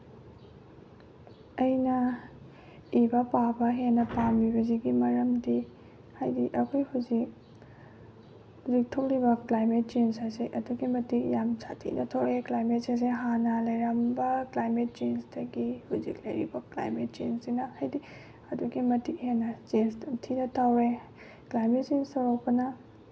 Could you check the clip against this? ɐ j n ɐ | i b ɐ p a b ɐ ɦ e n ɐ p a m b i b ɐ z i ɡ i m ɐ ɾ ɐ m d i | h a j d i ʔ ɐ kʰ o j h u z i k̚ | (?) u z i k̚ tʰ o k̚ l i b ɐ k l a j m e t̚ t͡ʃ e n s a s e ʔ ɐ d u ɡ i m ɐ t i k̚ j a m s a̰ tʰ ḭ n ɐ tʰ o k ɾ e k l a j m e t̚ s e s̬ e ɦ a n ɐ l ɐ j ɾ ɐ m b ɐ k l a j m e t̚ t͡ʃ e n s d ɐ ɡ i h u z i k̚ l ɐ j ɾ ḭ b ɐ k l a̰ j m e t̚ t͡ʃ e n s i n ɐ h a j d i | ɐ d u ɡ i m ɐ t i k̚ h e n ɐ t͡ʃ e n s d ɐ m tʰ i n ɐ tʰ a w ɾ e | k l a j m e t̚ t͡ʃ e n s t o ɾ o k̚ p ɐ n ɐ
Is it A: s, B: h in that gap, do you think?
B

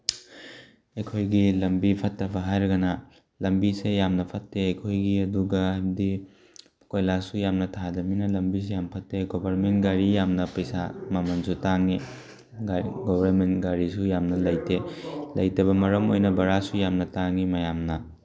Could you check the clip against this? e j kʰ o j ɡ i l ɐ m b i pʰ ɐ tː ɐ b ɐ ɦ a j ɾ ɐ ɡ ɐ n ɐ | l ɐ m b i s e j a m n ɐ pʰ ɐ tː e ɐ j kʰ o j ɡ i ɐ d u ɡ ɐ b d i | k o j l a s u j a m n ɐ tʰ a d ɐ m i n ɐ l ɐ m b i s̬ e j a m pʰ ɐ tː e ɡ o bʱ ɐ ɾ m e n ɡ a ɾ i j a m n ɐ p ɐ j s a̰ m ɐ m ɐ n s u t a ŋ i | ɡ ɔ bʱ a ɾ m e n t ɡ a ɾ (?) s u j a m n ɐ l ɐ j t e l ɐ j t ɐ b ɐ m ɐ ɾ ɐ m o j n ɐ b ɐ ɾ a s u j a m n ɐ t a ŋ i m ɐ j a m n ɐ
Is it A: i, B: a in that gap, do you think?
A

